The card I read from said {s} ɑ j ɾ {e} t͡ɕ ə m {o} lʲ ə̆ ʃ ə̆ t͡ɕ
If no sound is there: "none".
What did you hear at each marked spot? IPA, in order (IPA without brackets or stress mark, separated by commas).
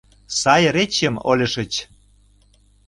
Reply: s, e, o